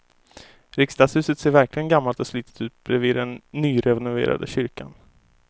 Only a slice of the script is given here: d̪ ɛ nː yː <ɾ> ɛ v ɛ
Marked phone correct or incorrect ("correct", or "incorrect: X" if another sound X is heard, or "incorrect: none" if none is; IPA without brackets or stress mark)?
correct